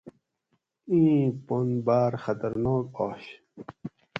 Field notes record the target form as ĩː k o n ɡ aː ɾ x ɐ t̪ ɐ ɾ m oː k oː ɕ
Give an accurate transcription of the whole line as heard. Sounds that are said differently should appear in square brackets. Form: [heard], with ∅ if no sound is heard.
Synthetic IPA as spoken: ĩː [p] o n [b] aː ɾ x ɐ t̪ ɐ ɾ [n] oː k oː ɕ